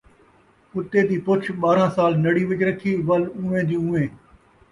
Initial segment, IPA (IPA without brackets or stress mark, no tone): ʊ